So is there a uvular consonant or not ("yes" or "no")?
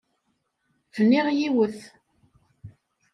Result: yes